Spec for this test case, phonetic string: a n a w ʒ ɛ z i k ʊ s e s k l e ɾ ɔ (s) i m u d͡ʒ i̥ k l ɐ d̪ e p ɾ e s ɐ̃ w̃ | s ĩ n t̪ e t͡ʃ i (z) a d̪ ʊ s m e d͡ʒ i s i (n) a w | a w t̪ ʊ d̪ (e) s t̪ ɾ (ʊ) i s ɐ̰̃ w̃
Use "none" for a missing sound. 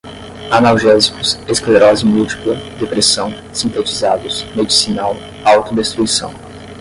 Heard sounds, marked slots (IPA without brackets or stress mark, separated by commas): z, z, n, e, u